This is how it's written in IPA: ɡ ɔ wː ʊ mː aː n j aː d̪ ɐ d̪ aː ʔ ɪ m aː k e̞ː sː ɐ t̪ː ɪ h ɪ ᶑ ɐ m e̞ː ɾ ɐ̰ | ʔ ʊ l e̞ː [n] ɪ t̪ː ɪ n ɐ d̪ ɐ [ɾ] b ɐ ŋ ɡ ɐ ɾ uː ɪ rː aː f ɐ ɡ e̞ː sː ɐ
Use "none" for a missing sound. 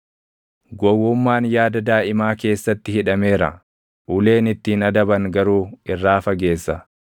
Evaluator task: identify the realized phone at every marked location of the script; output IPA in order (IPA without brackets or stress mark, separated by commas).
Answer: n, none